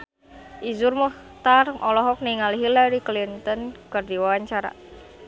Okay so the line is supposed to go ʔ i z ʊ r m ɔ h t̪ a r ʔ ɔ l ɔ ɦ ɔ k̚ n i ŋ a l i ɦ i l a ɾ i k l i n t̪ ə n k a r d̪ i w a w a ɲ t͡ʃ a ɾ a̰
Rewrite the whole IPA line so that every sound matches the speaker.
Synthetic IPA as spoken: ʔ i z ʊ r m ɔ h t̪ a r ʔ ɔ l ɔ ɦ ɔ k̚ n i ŋ a l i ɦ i l a ɾ i k l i n t̪ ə n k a r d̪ i w a w a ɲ t͡ʃ a ɾ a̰